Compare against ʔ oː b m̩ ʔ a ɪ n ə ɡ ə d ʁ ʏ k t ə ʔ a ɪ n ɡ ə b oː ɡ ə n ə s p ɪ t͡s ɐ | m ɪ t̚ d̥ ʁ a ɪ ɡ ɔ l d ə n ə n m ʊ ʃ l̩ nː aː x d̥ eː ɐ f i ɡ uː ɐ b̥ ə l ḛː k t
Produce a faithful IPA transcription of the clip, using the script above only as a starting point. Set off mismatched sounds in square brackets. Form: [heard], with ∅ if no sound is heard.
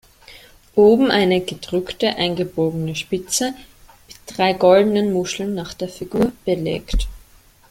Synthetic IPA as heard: ʔ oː b m̩ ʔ a ɪ n ə ɡ ə d ʁ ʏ k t ə ʔ a ɪ n ɡ ə b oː ɡ ə n ə [ʃ] p ɪ t͡s [ə] | m ɪ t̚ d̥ ʁ a ɪ ɡ ɔ l d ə n ə n m ʊ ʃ l̩ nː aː [χ] d̥ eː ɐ f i ɡ uː ɐ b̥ ə l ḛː k t